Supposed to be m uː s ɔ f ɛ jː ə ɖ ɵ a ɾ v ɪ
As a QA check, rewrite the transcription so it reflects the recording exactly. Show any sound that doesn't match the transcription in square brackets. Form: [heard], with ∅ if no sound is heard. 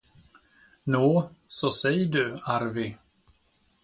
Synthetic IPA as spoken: [n] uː s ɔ [s] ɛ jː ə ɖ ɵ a ɾ v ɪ